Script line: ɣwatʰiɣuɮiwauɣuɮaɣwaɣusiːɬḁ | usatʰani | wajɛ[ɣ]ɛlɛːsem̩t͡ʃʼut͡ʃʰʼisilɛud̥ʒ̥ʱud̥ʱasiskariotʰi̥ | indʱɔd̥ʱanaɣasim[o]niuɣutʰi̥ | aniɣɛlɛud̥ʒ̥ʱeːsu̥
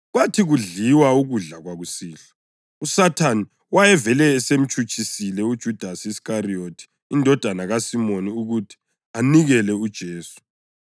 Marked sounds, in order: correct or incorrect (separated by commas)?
incorrect, correct